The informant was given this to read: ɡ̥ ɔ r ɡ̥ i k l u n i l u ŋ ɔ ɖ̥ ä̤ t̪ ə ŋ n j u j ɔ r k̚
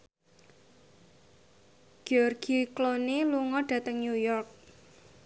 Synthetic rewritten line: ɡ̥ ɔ r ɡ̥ i k l o n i l u ŋ ɔ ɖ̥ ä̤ t̪ ə ŋ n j u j ɔ r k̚

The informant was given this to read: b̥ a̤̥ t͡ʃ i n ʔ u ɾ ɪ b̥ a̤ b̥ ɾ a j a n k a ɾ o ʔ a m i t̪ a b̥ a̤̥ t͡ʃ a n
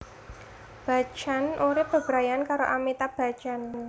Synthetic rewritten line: b̥ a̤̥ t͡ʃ a n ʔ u ɾ ɪ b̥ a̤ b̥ ɾ a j a n k a ɾ o ʔ a m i t̪ a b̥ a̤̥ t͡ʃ a n

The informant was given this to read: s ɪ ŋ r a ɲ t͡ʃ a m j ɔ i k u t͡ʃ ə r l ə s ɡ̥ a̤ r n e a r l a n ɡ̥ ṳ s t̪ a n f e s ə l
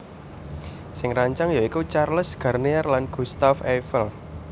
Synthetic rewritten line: s ɪ ŋ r a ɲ t͡ʃ a ŋ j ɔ i k u t͡ʃ a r l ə s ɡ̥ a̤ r n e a r l a n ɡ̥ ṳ s t̪ a f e f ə l

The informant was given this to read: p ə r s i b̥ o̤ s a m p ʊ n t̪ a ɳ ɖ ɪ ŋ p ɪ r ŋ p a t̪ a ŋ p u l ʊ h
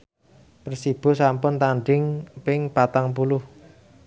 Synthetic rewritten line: p ə r s i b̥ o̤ s a m p ʊ n t̪ a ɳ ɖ ɪ ŋ p ɪ ŋ p a t̪ a ŋ p u l ʊ h

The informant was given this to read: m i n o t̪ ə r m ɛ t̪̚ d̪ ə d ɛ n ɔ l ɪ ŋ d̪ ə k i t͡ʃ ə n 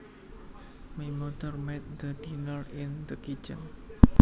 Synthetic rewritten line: m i m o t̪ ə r m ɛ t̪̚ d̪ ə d i n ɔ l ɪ n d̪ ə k i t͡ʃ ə n

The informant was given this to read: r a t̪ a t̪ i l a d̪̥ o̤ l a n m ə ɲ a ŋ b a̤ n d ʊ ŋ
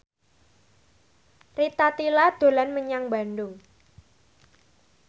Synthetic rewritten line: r i t̪ a t̪ i l a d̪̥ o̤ l a n m ə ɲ a ŋ b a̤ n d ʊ ŋ

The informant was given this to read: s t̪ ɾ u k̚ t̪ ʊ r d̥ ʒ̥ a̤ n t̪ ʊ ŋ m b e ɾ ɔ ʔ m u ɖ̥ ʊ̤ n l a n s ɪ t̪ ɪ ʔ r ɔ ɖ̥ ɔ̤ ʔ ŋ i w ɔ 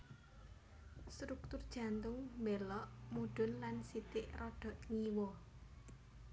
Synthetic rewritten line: s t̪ ɾ u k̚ t̪ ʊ r d̥ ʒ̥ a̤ n t̪ ʊ ŋ m b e l ɔ ʔ m u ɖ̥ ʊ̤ n l a n s i t̪ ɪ ʔ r ɔ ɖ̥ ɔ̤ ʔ ŋ i w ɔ

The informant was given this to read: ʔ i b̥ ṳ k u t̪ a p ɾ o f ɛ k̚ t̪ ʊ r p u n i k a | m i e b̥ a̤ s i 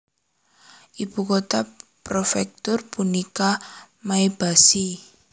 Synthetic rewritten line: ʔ i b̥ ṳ k o t̪ a p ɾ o f ɛ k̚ t̪ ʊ r p u n i k a | m a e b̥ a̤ s i

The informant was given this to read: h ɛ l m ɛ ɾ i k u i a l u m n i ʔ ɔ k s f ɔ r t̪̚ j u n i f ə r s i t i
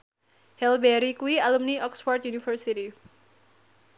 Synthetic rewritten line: h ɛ l b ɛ ɾ i k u i a l u m n i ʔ ɔ k s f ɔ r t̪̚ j u n i f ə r s i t i

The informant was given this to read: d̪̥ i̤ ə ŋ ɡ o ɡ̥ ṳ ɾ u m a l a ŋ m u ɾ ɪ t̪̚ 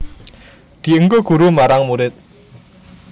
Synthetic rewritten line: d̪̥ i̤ ə ŋ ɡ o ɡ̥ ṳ ɾ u m a ɾ a ŋ m u ɾ ɪ t̪̚

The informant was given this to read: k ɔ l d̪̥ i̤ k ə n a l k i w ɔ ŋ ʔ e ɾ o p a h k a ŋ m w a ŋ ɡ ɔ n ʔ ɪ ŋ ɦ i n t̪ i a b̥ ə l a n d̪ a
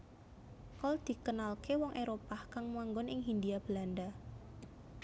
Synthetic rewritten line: k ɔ l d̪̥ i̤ k ə n a l k e w ɔ ŋ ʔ e ɾ o p a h k a ŋ m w a ŋ ɡ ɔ n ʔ ɪ ŋ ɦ i n d̪ i a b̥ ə l a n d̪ a

